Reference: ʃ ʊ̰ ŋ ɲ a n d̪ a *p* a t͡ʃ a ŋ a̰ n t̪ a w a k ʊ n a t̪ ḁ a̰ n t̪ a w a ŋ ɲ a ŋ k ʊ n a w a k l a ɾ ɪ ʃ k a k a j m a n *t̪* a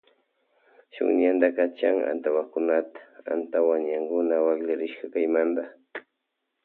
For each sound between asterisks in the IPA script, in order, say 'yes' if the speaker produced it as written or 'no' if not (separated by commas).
no, no